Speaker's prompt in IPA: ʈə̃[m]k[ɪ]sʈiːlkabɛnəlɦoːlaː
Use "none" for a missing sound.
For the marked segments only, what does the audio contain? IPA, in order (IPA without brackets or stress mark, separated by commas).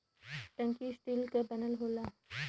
ŋ, i